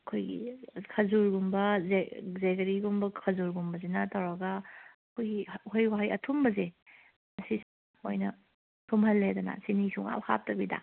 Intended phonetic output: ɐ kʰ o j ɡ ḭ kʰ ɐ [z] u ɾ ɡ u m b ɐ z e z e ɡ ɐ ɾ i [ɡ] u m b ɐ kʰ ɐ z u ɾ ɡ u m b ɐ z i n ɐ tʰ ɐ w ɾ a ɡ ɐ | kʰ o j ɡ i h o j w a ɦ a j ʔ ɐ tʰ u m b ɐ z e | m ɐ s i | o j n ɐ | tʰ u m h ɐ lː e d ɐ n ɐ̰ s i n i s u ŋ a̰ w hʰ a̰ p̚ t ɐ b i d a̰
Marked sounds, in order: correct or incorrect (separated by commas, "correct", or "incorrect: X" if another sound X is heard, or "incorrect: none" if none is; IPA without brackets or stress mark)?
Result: correct, correct